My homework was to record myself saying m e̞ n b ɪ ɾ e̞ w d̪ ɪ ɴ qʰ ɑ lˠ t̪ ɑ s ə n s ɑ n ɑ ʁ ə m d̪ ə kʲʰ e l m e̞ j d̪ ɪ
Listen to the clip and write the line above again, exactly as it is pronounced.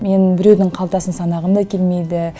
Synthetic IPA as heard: m e̞ n b ɪ ɾ e̞ w d̪ ɪ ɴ qʰ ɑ lˠ t̪ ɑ s ə n s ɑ n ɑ ʁ ə m d̪ ɑ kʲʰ e l m e̞ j d̪ ɪ